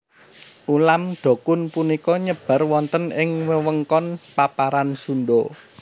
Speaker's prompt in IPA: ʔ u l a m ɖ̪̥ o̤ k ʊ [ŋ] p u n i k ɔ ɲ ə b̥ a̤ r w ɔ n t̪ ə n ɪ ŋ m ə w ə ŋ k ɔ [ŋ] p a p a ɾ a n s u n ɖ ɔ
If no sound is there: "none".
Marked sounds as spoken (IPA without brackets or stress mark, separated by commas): n, n